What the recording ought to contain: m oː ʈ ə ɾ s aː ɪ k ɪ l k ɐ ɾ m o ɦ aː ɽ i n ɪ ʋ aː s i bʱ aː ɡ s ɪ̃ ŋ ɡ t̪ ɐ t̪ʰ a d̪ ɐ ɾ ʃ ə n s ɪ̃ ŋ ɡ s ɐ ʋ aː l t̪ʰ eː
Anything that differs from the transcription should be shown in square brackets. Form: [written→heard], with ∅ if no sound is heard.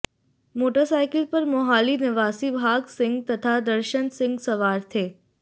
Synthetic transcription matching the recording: m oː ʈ ə ɾ s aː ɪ k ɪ l [k→p] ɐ ɾ m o ɦ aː [ɽ→l] i n ɪ ʋ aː s i bʱ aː ɡ s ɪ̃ ŋ ɡ t̪ ɐ t̪ʰ a d̪ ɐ ɾ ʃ ə n s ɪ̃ ŋ ɡ s ɐ ʋ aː [l→ɾ] t̪ʰ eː